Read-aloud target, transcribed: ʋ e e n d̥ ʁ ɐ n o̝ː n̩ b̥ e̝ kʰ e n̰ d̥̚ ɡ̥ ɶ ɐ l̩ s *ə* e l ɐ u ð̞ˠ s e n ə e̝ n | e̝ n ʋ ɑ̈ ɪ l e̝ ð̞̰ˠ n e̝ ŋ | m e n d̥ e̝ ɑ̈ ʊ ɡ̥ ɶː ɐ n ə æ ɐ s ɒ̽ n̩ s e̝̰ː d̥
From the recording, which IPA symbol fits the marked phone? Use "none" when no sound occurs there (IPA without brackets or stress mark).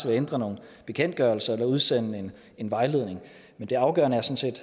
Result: ɐ